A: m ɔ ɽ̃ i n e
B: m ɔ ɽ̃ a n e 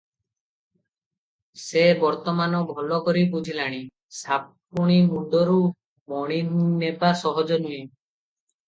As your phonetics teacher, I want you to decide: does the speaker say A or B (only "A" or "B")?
A